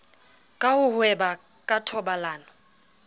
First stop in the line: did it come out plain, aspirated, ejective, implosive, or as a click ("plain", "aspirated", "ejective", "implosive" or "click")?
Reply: ejective